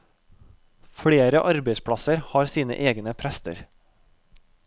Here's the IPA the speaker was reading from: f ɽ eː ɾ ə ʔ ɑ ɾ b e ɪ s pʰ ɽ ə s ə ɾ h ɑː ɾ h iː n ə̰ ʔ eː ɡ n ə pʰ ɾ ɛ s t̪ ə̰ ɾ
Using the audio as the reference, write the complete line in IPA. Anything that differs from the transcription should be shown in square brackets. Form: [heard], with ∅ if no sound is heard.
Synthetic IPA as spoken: f ɽ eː ɾ ə ʔ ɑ ɾ b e ɪ s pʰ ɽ [ɑ] s ə ɾ h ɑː ɾ [s] iː n ə̰ ʔ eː ɡ n ə pʰ ɾ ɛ s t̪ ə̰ ɾ